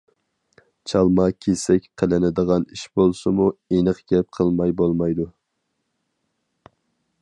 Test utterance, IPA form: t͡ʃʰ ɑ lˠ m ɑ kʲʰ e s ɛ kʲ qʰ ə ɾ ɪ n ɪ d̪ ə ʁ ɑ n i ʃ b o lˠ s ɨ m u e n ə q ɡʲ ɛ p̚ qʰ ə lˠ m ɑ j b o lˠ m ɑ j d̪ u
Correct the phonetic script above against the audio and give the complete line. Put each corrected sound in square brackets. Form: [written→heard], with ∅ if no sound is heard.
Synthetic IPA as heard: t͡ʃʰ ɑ lˠ m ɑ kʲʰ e s ɛ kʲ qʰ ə [ɾ→l] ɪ n ɪ d̪ ə ʁ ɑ n i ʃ b o lˠ s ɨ m u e n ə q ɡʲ ɛ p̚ qʰ ə lˠ m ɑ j b o lˠ m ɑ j d̪ u